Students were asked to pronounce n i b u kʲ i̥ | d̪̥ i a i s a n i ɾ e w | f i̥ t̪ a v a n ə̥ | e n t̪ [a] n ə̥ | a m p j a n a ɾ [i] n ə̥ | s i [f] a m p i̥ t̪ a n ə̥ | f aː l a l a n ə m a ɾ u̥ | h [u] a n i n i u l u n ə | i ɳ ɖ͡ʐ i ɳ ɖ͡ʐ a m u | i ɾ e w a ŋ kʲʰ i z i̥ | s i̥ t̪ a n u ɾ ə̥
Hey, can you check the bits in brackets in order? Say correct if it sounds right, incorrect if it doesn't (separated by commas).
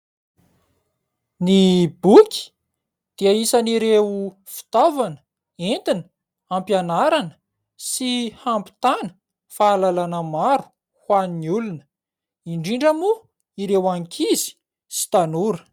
incorrect, incorrect, incorrect, incorrect